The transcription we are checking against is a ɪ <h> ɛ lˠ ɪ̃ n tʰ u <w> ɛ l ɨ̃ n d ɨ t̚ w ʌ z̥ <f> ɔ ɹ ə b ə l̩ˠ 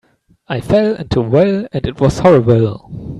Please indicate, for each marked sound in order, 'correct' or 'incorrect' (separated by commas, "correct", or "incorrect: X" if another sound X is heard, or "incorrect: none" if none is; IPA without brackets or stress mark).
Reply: incorrect: f, correct, incorrect: h